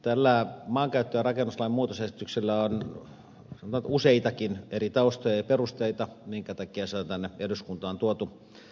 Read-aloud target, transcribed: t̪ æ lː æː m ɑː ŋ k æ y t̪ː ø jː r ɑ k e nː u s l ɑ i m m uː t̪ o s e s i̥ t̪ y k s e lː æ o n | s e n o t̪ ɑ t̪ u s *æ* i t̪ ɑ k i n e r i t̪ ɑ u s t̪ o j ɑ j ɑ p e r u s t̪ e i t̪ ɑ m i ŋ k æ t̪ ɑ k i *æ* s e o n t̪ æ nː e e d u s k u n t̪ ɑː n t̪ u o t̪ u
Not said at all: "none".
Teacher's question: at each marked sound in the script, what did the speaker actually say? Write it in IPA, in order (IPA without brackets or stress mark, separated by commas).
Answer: e, æ